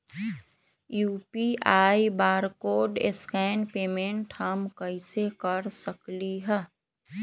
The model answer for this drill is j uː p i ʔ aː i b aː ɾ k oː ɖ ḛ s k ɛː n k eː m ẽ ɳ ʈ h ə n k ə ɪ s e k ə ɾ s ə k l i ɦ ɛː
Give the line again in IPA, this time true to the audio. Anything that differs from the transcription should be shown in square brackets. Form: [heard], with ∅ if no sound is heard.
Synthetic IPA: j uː p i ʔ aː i b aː ɾ k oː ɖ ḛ s k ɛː n [p] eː m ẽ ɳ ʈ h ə [m] k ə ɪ s e k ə ɾ s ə k l i ɦ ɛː